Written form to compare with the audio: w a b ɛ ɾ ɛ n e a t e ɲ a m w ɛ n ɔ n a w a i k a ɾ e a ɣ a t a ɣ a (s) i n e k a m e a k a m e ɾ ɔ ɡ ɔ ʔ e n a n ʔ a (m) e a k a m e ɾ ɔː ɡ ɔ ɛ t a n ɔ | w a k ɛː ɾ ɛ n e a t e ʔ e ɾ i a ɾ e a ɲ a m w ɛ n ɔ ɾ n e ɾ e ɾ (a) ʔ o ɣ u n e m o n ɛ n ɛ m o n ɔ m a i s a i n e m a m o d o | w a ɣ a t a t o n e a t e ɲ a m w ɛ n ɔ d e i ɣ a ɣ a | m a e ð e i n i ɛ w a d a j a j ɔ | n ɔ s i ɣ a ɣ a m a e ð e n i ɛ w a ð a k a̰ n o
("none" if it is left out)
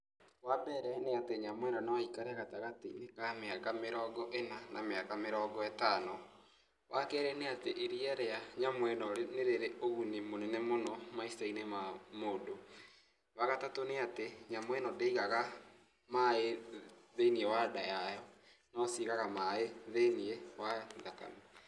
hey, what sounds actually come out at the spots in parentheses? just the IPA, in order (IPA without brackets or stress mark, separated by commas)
t, m, e